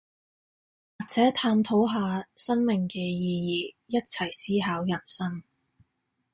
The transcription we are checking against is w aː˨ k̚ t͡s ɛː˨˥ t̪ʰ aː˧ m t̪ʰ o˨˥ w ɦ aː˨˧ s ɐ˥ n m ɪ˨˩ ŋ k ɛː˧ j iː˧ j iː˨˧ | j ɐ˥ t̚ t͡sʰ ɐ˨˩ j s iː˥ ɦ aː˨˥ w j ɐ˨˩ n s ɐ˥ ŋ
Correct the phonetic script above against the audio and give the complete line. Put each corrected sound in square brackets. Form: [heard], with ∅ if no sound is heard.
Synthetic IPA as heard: w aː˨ k̚ t͡s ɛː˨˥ t̪ʰ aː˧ m t̪ʰ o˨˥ w ɦ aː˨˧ s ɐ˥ n m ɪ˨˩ ŋ k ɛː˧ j iː˧ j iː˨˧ | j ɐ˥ t̚ t͡sʰ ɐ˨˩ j s iː˥ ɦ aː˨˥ w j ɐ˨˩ n s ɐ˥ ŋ